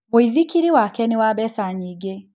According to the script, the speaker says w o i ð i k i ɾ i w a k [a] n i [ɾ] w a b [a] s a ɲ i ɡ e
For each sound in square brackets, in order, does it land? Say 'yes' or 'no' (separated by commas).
no, no, no